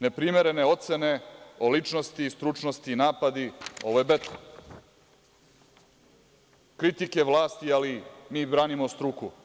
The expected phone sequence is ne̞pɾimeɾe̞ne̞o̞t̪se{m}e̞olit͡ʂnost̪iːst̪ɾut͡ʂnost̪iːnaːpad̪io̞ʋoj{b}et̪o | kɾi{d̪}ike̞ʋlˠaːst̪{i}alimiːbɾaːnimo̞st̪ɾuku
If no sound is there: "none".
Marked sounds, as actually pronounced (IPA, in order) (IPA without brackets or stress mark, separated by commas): n, b, t̪, i